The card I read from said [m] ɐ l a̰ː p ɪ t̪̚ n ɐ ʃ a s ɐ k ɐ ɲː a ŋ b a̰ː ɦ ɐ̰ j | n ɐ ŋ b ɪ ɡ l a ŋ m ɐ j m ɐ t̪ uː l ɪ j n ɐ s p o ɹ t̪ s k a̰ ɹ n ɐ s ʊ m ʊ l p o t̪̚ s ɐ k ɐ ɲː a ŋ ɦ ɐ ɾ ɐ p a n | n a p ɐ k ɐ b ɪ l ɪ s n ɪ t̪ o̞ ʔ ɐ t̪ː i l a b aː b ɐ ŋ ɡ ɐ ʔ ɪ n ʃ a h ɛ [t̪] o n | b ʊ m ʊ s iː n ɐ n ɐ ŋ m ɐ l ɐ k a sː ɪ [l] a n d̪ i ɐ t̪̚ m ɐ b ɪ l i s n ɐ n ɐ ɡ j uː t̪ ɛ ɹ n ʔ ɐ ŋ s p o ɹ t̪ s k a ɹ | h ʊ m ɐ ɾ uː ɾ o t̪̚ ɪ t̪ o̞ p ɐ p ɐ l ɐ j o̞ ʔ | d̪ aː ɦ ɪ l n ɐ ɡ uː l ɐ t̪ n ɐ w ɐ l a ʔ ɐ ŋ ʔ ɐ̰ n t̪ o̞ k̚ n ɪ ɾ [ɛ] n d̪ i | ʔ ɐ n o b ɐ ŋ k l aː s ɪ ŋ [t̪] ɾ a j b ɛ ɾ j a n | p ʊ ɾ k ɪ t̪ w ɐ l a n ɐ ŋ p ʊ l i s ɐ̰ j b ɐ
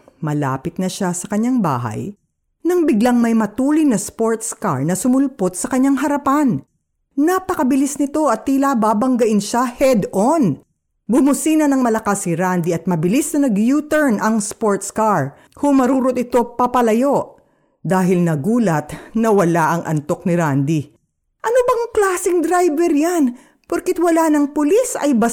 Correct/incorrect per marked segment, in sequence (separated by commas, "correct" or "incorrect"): correct, incorrect, incorrect, incorrect, incorrect